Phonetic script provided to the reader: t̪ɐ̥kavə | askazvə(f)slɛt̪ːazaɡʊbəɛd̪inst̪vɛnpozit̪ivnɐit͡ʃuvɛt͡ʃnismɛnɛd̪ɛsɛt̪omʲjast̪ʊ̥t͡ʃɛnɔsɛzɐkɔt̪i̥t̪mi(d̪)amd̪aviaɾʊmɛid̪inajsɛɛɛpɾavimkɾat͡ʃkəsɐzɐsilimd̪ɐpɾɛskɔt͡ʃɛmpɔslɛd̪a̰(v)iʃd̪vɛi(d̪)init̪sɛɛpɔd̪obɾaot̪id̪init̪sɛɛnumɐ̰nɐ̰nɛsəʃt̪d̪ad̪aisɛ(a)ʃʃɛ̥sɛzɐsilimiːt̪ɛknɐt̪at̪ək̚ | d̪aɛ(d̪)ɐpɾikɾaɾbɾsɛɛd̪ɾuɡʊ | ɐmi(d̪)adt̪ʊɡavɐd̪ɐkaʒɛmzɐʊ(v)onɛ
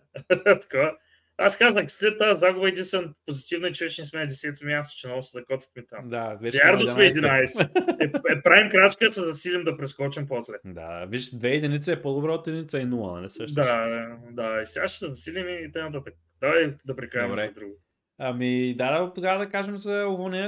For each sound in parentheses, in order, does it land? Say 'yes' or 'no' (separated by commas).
no, no, yes, yes, yes, yes, yes, yes